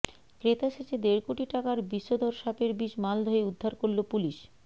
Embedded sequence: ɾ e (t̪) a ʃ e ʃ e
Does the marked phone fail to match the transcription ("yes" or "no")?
no